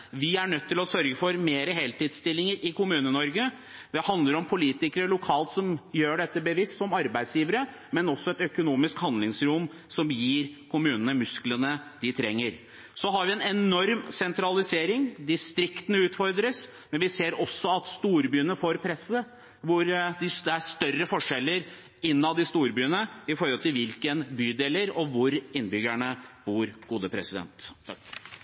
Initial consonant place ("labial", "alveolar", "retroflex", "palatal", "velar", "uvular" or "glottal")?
labial